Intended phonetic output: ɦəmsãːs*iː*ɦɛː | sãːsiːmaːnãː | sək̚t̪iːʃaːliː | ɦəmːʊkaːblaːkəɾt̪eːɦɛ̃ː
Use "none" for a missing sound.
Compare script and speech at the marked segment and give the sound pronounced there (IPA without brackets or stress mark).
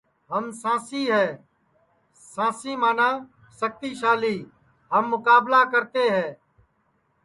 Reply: iː